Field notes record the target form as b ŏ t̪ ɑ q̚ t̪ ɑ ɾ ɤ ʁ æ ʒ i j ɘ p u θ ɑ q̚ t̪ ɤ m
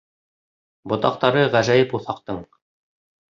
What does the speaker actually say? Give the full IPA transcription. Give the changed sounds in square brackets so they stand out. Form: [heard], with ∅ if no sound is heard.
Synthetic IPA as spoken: b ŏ t̪ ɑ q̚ t̪ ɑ ɾ ɤ ʁ æ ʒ [æ] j ɘ p u θ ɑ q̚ t̪ ɤ [ɴ]